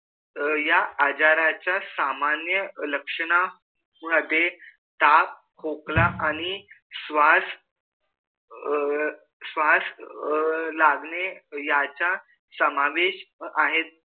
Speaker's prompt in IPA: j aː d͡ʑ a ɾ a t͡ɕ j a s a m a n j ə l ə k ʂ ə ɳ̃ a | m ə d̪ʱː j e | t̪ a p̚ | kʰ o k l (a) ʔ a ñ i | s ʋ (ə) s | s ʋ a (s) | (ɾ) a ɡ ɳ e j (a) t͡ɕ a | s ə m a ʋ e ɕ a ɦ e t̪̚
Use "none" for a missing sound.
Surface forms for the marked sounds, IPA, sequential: a, a, s, l, a

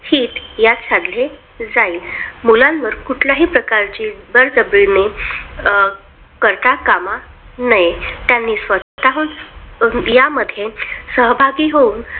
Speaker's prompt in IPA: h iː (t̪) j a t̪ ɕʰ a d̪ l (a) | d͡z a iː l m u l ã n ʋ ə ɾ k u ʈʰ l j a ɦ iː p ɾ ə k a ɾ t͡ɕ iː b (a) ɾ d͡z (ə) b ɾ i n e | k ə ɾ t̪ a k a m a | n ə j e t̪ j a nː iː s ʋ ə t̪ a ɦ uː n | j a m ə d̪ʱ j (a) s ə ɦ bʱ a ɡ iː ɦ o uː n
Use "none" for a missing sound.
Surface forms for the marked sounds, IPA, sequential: t̪, e, ə, ə, e

